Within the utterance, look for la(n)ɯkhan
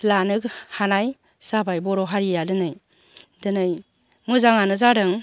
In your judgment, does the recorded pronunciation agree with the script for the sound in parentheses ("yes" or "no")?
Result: yes